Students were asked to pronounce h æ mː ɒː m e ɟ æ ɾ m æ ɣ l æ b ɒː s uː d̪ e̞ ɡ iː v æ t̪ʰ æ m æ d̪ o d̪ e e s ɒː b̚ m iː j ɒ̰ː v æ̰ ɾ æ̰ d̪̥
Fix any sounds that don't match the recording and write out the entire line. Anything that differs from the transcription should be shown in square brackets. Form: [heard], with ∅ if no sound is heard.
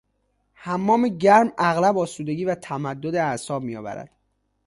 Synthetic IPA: h æ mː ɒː m e ɟ æ ɾ m æ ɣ l æ b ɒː s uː d̪ e̞ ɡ iː v æ t̪ʰ æ m æ [d̪ː] o d̪ e [æ] s ɒː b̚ m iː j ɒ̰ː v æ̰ ɾ æ̰ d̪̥